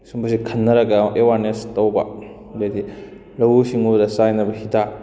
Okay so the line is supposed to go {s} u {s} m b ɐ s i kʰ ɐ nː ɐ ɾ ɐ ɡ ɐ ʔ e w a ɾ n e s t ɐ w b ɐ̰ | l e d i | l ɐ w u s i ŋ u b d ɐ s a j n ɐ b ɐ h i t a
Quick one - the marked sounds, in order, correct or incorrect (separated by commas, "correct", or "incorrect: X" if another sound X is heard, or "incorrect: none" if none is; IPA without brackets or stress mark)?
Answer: correct, incorrect: none